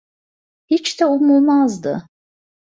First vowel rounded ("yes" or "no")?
no